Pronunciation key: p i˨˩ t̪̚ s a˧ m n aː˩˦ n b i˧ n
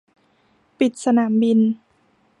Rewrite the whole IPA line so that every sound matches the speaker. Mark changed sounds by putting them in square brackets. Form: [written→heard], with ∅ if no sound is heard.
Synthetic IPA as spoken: p i˨˩ t̪̚ s a˧ [m→∅] n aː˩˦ [n→m] b i˧ n